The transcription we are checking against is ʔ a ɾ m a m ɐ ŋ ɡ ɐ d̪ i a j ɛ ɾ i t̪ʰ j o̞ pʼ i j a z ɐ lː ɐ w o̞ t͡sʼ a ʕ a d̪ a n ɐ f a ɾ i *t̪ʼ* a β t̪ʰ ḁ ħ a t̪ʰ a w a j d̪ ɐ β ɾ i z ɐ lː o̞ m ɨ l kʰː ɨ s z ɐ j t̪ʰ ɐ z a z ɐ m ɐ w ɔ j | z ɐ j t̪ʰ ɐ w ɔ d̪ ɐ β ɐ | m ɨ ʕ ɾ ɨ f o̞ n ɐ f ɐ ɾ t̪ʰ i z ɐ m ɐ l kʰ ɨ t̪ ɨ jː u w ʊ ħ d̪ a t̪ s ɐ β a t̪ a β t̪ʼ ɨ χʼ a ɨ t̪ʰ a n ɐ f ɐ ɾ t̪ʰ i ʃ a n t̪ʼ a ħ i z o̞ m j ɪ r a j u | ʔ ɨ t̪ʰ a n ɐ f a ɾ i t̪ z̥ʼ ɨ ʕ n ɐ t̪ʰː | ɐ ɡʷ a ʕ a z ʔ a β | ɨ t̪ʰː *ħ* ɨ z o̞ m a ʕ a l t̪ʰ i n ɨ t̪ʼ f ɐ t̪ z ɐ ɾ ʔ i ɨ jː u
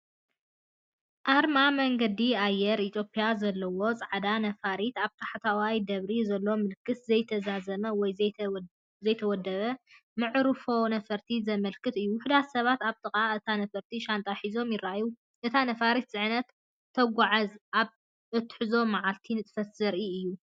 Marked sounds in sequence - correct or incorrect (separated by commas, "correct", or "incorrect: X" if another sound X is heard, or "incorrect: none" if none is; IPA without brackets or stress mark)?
incorrect: t̪, correct